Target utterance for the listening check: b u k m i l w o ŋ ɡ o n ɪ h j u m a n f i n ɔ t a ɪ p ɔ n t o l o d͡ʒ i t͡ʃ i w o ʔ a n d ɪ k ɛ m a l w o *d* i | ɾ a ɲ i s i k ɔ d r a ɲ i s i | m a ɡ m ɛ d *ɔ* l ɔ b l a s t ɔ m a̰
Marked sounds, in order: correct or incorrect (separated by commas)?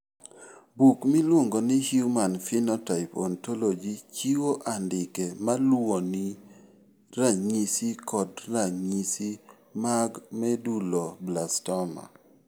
incorrect, incorrect